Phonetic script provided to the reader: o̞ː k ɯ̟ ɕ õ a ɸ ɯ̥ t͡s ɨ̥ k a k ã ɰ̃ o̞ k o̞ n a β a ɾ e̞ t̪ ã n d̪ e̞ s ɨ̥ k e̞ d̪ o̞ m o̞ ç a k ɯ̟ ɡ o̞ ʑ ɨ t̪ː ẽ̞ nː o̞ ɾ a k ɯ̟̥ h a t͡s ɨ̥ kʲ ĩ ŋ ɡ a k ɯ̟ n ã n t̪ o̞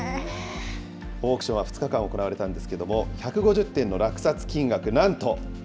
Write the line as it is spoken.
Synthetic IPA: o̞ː k ɯ̟ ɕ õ a ɸ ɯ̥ t͡s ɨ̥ k a k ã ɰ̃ o̞ k o̞ n a β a ɾ e̞ t̪ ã n d̪ e̞ s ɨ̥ k e̞ d̪ o̞ m o̞ ç a k ɯ̟ ɡ o̞ ʑ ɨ t̪ː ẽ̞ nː o̞ ɾ a k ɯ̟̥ s a t͡s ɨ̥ kʲ ĩ ŋ ɡ a k ɯ̟ n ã n t̪ o̞